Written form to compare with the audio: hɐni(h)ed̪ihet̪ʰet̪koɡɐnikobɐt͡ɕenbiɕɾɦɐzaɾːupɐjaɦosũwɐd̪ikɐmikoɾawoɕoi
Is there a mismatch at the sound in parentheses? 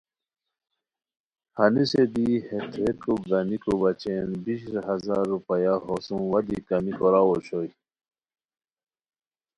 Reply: yes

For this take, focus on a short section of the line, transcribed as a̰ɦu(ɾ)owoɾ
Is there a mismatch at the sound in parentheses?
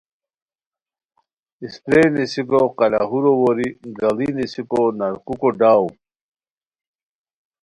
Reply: no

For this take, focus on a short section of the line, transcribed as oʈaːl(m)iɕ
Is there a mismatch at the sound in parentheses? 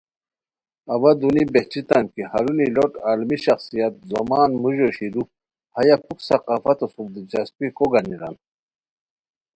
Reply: no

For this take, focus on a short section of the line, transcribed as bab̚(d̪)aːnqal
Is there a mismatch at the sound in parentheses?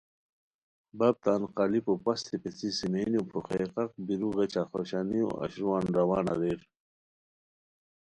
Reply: yes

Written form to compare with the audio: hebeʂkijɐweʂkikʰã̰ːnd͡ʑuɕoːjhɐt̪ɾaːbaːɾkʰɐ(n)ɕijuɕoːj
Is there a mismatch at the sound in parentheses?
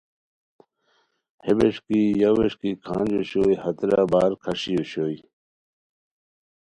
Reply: yes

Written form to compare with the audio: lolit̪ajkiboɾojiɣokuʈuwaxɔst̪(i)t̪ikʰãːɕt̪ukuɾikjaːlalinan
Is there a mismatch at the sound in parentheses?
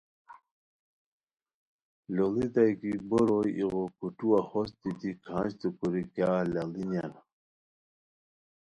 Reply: no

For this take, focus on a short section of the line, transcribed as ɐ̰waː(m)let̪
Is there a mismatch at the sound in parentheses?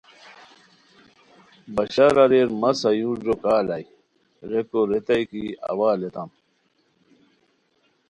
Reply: yes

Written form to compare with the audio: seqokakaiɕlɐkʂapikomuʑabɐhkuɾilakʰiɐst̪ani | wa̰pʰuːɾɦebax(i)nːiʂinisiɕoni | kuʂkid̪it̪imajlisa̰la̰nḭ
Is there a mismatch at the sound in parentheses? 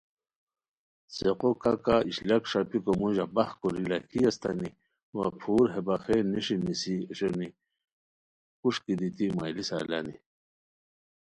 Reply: yes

